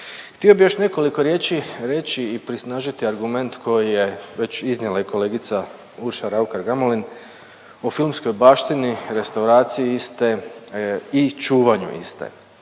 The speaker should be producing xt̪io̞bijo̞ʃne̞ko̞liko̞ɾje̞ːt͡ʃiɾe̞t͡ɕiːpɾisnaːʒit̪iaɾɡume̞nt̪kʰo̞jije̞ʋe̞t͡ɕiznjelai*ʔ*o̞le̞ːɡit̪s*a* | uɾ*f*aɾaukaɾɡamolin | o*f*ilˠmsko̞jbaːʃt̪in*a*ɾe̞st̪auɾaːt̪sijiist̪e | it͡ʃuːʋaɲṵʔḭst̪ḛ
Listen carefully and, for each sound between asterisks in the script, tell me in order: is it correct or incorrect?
incorrect: k, correct, incorrect: ʃ, correct, incorrect: i

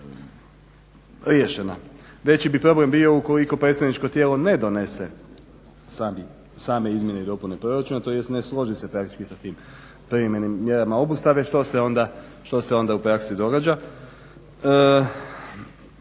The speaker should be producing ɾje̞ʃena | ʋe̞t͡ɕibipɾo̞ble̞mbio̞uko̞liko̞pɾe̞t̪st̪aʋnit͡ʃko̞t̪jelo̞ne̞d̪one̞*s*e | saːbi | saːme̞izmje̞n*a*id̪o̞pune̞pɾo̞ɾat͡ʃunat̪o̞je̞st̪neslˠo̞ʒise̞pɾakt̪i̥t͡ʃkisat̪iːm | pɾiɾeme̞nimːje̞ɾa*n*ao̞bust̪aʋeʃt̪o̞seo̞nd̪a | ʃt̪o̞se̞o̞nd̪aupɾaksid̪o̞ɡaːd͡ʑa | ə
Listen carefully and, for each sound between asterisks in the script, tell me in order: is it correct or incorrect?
correct, incorrect: e, incorrect: m

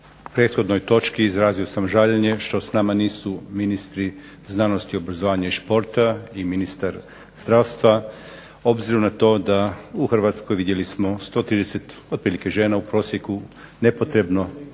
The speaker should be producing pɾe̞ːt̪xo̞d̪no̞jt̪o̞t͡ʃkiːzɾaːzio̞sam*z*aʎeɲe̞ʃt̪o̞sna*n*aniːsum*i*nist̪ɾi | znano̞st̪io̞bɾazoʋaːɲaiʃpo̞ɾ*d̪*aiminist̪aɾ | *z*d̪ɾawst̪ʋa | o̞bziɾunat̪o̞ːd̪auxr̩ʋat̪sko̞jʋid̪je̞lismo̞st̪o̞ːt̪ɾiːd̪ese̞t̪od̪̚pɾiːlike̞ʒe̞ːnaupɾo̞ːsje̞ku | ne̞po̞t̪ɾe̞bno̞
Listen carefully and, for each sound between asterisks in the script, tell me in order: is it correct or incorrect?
incorrect: ʒ, incorrect: m, correct, incorrect: t̪, correct

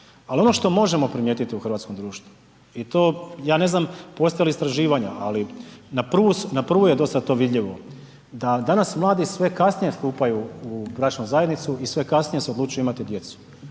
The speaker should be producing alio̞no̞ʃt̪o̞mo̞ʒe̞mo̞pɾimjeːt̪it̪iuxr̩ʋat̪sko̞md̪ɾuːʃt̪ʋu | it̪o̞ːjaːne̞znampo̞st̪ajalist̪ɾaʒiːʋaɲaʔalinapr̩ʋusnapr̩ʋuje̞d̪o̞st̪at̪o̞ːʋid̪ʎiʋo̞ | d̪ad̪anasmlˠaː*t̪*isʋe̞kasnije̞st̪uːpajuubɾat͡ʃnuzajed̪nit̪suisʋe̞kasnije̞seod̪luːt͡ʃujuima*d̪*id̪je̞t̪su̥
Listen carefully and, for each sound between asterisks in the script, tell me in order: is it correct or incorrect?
incorrect: d̪, incorrect: t̪

